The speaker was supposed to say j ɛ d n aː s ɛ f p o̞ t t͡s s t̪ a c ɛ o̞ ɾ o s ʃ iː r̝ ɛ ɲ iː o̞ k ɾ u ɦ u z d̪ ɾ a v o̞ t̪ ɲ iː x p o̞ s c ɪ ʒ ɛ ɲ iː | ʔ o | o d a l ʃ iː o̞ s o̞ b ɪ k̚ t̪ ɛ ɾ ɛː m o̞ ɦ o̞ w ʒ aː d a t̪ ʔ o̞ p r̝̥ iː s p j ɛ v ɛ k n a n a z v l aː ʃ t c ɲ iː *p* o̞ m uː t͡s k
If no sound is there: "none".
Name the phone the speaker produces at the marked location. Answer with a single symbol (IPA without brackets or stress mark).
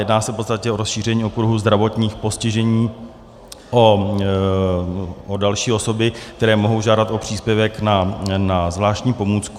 p